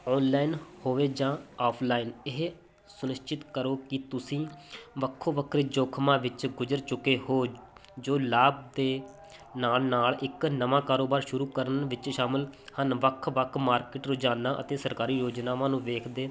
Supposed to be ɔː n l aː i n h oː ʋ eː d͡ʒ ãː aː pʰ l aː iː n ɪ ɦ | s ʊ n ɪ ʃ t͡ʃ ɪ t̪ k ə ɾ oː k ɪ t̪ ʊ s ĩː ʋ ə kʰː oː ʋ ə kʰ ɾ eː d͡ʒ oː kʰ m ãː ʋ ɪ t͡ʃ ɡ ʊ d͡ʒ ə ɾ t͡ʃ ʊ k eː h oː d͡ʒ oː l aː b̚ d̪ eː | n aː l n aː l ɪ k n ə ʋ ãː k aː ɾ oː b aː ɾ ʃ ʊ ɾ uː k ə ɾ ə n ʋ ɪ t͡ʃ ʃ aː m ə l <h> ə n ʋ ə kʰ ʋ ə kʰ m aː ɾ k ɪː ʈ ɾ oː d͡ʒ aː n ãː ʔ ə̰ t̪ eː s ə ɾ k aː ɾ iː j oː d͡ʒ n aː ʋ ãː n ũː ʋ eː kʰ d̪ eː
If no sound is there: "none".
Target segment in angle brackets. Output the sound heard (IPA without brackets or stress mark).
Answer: h